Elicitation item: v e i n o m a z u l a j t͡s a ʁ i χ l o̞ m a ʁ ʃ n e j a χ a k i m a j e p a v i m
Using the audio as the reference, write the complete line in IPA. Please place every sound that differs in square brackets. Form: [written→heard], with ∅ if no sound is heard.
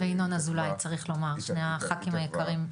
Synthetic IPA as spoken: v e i n o [m→n] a z u l a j t͡s a ʁ i χ l o̞ m a ʁ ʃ n e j a χ a k i m a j e [p→k] a [v→ʁ] i m